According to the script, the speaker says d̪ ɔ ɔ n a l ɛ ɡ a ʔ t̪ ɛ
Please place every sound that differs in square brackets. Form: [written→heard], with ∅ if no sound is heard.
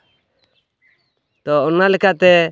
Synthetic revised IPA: [d̪→t̪] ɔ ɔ n a l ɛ [ɡ→k] a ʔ t̪ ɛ